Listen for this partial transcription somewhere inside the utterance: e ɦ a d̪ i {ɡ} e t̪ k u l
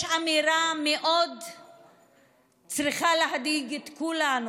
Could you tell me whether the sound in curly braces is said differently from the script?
no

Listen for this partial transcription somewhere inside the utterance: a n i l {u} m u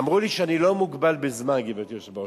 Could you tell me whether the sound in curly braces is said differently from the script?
yes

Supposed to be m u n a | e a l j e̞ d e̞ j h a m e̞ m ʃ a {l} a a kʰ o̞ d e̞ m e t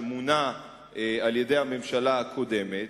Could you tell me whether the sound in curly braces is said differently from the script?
no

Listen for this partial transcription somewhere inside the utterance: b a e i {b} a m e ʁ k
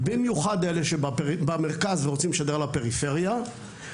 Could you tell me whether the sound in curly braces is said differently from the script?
no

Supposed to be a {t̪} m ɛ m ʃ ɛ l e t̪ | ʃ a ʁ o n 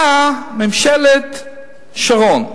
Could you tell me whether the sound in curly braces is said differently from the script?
yes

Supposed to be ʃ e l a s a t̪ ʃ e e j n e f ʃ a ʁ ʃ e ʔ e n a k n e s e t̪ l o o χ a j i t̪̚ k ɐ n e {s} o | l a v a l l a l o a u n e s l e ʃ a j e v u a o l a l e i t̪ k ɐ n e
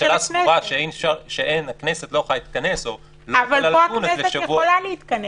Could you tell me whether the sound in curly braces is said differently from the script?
no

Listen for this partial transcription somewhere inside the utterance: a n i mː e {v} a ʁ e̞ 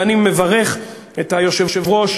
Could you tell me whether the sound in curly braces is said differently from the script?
no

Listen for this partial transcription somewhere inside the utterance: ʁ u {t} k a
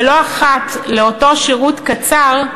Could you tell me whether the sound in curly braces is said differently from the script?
no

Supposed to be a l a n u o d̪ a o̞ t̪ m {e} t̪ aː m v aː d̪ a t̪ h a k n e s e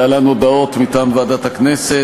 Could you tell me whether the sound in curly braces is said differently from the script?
yes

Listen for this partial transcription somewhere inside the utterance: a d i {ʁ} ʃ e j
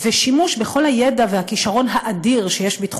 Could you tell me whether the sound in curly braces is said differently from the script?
no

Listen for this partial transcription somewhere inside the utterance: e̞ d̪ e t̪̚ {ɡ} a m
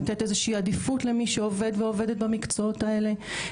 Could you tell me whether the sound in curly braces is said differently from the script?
yes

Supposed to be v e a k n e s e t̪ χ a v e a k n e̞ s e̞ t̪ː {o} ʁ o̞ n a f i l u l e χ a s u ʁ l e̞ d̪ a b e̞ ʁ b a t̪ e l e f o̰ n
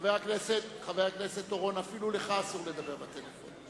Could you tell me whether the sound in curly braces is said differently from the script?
no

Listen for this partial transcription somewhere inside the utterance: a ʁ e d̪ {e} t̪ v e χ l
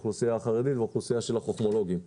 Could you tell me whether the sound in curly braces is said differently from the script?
yes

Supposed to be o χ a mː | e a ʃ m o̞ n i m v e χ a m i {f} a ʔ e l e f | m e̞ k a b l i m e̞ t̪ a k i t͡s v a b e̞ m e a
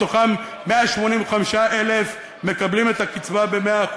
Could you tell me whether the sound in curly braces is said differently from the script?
yes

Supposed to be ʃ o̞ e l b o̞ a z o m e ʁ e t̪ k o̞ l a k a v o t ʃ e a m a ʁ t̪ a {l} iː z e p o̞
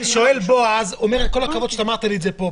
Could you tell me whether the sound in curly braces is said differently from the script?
no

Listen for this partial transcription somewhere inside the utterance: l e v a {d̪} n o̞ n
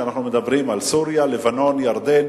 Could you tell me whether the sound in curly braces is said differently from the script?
yes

